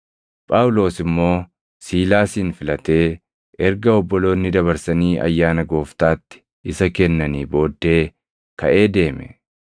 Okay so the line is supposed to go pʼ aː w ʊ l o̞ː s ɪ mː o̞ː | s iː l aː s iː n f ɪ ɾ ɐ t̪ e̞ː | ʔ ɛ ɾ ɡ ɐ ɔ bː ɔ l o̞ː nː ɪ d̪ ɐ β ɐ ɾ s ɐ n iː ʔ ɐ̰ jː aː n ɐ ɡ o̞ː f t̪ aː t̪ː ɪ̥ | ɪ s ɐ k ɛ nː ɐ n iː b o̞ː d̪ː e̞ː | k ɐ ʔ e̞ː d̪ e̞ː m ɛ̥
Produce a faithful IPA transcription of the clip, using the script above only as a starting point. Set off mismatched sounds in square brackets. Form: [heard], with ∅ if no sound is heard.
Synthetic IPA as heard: pʼ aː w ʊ l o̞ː s ɪ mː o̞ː | s iː l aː s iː n f ɪ [l] ɐ t̪ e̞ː | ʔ ɛ ɾ ɡ ɐ ɔ bː ɔ l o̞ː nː ɪ d̪ ɐ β ɐ ɾ s ɐ n iː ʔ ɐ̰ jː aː n ɐ ɡ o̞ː f t̪ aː t̪ː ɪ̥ | ɪ s ɐ k ɛ nː ɐ n iː b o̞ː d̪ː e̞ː | k ɐ ʔ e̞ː d̪ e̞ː m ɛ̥